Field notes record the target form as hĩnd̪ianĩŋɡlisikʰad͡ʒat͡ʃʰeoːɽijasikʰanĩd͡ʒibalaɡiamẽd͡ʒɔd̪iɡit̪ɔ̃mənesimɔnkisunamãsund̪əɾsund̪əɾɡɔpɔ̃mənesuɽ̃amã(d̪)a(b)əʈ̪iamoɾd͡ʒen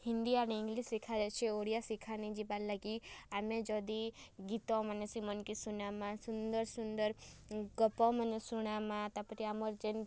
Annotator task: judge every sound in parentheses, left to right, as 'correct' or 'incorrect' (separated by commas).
incorrect, incorrect